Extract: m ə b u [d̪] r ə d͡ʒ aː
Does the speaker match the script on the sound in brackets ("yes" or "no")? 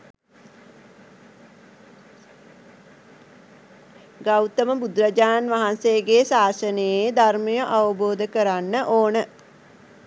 yes